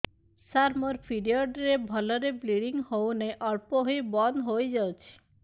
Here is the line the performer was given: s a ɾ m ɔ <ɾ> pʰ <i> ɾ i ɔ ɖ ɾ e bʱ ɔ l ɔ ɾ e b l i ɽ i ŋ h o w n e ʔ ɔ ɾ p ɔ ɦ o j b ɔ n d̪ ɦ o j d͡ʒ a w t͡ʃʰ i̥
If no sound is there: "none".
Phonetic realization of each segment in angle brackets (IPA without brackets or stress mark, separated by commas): ɾ, i